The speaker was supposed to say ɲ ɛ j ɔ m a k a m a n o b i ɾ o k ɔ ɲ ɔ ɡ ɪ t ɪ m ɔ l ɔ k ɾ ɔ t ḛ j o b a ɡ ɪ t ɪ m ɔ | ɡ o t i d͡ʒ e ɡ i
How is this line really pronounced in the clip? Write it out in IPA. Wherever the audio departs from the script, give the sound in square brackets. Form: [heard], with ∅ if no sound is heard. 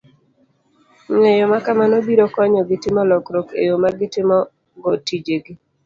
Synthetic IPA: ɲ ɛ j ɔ m a k a m a n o b i ɾ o k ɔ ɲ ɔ ɡ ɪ t ɪ m ɔ l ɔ k ɾ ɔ [k] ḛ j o [m] a ɡ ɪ t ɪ m ɔ | ɡ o t i d͡ʒ e ɡ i